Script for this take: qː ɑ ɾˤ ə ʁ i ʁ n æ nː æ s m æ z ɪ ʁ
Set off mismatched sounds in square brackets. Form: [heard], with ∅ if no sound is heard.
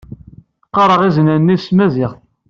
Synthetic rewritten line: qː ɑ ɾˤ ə ʁ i [z] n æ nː [i] s m æ z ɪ ʁ